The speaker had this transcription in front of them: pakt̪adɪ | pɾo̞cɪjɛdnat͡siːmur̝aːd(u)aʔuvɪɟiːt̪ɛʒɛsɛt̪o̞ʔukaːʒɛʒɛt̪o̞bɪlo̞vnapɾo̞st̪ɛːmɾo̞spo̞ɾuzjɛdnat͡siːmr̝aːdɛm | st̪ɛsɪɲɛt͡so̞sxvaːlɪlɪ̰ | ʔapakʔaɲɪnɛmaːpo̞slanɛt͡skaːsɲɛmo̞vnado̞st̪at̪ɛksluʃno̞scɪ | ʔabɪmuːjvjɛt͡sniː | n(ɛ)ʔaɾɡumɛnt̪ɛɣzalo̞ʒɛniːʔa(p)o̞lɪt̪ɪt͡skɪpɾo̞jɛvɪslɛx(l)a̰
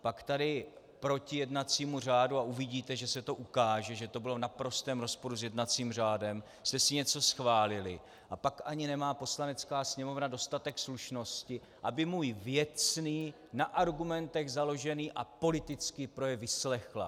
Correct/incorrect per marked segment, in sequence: correct, incorrect: a, correct, correct

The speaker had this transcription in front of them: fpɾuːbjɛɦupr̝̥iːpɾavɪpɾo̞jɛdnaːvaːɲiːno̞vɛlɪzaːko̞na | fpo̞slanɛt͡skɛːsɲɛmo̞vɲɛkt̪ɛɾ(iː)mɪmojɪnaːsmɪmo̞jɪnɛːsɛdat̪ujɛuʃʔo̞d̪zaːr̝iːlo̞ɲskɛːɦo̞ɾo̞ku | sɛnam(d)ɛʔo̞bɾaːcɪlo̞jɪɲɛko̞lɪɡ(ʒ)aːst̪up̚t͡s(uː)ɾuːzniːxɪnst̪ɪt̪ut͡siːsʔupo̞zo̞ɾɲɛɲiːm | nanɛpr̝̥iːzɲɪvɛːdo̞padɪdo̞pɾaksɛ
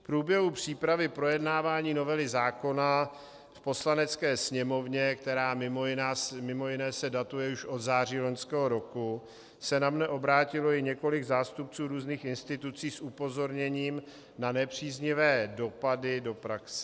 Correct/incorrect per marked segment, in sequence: incorrect: aː, incorrect: n, incorrect: z, correct

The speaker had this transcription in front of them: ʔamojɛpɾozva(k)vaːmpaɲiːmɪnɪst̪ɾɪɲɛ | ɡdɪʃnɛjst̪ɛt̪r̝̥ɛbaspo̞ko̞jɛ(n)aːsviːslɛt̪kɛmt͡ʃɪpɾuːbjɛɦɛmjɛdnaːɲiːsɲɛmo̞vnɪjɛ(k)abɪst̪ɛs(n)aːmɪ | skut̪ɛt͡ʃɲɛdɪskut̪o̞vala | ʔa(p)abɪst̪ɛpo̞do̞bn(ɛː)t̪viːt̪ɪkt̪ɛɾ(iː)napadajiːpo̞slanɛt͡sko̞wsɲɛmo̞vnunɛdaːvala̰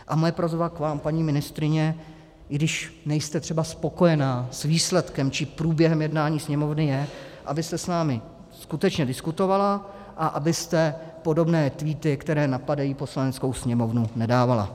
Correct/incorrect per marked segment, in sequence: correct, correct, incorrect: ʔ, correct, incorrect: ʔ, correct, incorrect: ɛː

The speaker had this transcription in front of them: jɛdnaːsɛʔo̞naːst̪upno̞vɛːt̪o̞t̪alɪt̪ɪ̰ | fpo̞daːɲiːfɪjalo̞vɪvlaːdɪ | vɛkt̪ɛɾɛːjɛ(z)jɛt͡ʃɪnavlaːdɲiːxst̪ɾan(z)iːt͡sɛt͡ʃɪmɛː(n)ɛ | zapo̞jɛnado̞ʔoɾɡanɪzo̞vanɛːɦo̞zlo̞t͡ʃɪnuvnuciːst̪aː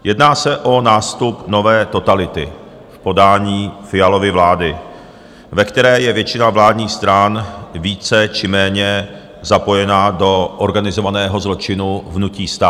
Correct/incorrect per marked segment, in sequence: incorrect: v, incorrect: v, incorrect: ɲ

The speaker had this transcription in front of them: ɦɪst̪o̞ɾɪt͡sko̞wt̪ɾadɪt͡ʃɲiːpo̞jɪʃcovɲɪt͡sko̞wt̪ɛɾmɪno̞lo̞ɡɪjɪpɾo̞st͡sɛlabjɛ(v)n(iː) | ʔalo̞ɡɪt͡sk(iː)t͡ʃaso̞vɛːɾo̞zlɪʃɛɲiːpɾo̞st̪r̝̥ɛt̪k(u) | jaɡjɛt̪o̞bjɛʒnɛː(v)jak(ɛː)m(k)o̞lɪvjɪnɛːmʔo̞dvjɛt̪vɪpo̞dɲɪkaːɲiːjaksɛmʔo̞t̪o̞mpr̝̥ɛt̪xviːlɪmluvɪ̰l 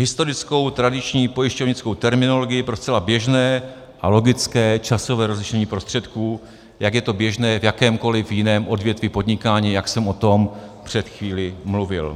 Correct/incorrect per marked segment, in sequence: incorrect: ʒ, incorrect: ɛː, incorrect: ɛː, incorrect: uː, correct, correct, correct

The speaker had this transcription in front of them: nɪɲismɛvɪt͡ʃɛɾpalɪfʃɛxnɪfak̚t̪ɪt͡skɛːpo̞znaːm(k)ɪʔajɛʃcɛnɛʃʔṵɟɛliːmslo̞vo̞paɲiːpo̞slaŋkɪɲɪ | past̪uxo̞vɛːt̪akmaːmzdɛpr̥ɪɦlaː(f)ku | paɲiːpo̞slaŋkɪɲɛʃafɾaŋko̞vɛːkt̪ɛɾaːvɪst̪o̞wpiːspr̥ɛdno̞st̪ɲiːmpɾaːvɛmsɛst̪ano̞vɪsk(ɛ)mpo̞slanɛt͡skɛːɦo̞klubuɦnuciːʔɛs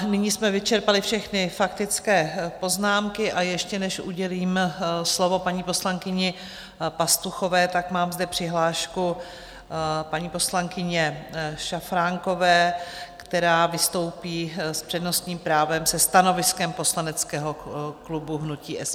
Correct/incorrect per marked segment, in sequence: correct, incorrect: ʃ, correct

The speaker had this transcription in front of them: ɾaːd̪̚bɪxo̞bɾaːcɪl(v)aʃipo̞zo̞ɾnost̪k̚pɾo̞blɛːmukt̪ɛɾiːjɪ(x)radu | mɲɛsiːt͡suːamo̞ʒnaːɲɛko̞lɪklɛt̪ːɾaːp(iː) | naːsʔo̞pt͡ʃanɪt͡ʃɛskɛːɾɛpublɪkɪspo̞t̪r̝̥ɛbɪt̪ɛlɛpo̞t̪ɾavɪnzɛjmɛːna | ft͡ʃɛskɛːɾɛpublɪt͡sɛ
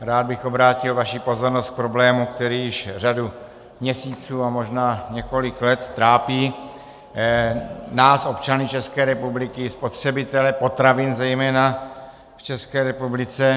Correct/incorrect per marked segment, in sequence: correct, incorrect: ʃ, correct

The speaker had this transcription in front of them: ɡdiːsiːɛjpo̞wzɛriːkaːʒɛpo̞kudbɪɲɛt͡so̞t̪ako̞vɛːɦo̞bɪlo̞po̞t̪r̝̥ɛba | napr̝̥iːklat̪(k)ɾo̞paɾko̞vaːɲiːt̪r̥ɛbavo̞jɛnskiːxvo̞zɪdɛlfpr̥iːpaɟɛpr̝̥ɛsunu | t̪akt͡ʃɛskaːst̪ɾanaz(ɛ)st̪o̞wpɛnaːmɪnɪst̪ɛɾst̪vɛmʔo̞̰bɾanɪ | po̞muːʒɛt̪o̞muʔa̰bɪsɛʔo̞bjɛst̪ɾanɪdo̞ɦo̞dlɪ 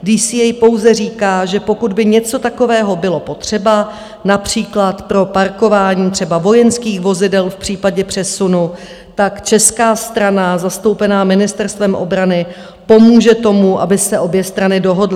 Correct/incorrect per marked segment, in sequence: incorrect: p, incorrect: a

